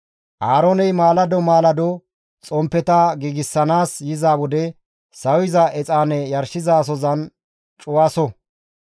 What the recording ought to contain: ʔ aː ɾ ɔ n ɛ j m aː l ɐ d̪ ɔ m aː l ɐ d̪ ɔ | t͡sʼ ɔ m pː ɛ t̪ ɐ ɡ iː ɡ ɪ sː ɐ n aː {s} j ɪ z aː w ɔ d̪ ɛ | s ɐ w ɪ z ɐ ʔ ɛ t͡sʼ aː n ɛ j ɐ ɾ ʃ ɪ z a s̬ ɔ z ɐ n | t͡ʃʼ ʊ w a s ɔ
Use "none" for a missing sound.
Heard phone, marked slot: s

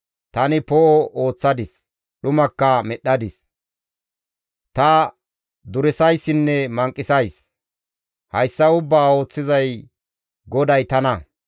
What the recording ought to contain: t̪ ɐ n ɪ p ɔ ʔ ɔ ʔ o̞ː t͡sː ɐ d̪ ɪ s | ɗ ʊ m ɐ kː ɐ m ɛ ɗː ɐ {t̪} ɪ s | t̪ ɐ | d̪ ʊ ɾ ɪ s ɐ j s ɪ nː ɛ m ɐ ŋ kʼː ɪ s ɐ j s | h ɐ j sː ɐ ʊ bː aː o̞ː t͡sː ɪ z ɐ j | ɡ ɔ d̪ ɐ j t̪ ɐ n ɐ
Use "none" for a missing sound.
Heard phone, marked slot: d̪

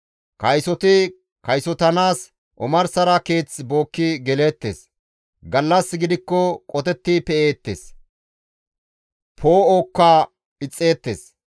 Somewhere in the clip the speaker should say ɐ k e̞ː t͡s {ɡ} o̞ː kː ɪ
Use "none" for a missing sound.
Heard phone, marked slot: b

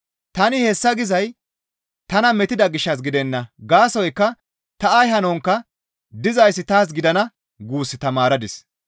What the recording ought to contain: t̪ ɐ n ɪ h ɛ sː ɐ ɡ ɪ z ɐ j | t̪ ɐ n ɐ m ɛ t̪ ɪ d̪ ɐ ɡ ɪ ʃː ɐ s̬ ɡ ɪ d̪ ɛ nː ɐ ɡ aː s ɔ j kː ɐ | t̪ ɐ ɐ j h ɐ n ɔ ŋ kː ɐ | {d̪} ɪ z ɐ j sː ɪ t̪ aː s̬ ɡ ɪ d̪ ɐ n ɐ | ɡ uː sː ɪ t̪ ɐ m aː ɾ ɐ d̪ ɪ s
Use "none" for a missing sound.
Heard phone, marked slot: d̪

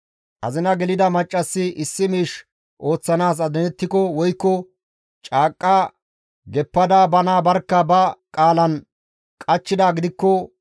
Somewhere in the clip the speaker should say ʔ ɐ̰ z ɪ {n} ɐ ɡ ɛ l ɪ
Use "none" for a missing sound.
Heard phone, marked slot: n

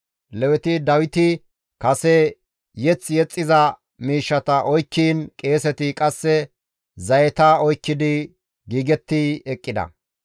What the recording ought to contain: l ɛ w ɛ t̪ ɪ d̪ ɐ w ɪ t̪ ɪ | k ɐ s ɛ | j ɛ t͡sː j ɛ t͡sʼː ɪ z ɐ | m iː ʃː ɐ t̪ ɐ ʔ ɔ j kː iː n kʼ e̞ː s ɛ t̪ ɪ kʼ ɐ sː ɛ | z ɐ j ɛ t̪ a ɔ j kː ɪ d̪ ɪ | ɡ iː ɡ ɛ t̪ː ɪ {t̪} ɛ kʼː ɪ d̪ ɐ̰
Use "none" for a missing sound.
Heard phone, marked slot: none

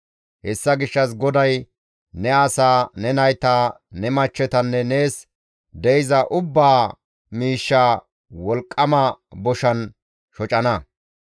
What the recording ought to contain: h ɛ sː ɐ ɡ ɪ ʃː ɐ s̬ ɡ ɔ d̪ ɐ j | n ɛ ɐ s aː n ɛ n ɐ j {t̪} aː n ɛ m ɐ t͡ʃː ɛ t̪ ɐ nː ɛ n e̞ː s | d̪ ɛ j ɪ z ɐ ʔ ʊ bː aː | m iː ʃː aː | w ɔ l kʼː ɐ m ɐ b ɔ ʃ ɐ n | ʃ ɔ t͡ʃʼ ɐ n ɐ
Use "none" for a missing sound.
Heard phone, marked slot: t̪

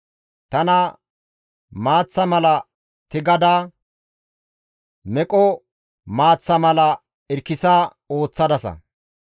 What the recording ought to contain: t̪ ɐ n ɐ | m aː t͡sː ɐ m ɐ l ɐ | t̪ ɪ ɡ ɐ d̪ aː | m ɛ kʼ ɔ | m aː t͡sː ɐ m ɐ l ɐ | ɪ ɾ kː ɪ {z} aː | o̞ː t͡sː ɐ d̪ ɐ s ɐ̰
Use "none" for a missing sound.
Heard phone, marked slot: s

